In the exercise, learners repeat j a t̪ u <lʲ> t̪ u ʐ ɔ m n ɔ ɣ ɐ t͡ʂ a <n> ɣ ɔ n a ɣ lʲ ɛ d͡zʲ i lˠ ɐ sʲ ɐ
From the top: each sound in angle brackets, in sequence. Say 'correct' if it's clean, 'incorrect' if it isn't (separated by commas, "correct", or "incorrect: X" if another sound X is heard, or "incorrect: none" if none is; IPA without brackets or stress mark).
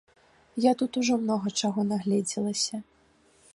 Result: incorrect: none, incorrect: none